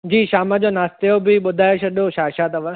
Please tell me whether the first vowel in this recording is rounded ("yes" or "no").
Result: no